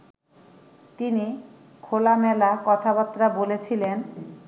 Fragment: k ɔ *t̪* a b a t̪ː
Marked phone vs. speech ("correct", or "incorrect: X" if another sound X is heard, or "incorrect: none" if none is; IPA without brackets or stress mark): incorrect: t̪ʰ